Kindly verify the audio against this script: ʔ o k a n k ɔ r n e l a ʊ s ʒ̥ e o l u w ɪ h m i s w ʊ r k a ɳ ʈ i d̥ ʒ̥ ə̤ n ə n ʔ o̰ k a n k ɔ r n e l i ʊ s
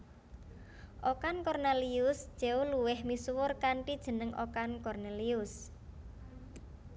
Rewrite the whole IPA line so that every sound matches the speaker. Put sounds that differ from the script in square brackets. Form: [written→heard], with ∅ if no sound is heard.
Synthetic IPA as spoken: ʔ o k a n k ɔ r n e l [a→i] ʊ s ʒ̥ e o l u w ɪ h m i s w ʊ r k a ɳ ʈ i d̥ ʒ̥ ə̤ n ə [n→ŋ] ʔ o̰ k a n k ɔ r n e l i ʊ s